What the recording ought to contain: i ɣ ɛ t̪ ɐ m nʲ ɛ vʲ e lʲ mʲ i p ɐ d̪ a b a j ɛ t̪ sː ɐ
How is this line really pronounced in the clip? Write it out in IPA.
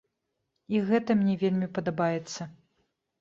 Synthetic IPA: i ɣ ɛ t̪ ɐ m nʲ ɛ vʲ e lʲ mʲ i p ɐ d̪ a b a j ɛ t̪ sː ɐ